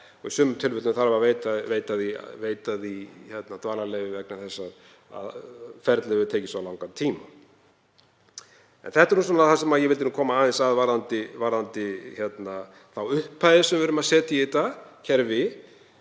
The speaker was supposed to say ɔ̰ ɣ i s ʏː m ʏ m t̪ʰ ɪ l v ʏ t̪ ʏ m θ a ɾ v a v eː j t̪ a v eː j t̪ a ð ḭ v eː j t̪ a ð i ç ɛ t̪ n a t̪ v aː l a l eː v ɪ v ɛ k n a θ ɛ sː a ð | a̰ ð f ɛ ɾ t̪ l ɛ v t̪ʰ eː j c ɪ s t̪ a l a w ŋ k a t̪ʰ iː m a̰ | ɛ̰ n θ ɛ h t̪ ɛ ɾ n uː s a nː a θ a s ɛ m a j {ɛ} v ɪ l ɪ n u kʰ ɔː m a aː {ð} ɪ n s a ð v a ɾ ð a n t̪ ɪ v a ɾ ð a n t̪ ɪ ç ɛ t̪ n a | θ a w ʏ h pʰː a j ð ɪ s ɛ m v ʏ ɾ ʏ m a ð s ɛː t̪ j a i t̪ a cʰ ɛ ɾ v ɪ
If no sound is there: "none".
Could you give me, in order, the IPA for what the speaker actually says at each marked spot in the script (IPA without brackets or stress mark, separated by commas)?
ɛ, ð